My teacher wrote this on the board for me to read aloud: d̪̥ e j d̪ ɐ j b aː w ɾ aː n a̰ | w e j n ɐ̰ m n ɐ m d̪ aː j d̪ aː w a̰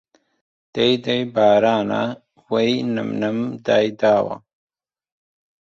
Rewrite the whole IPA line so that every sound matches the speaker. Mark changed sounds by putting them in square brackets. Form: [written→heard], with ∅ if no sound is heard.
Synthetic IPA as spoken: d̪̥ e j d̪ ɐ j b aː [w→∅] ɾ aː n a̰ | w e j n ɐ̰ m n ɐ m d̪ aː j d̪ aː w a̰